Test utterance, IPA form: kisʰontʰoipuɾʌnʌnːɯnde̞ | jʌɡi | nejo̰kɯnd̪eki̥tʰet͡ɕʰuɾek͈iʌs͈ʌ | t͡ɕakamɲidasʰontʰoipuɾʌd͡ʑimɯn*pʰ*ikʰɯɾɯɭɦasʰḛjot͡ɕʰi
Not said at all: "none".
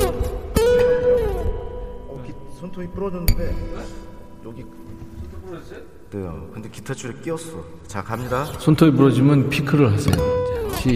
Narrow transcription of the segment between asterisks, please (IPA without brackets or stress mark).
pʰ